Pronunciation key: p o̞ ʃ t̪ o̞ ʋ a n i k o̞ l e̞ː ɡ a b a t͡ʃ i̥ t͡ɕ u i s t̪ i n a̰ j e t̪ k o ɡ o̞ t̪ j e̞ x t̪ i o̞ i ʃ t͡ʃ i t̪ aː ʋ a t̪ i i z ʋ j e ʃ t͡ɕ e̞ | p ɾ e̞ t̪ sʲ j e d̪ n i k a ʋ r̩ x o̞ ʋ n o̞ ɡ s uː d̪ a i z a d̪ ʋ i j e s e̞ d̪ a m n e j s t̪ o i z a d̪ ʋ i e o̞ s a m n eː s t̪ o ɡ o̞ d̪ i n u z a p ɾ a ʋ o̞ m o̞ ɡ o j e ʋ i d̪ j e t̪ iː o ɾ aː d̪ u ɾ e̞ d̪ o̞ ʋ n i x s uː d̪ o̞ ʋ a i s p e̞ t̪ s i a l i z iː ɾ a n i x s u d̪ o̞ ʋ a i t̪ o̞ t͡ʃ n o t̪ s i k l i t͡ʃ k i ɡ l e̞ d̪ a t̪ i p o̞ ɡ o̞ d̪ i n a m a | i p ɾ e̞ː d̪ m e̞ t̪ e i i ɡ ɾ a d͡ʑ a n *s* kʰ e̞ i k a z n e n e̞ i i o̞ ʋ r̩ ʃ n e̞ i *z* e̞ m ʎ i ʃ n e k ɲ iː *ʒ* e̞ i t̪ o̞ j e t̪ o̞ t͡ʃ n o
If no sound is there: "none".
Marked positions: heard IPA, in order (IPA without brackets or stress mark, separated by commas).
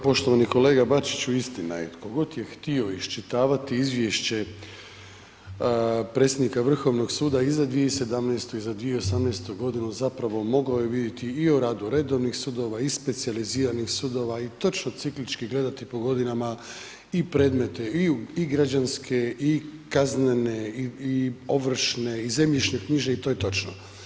s, z, ʒ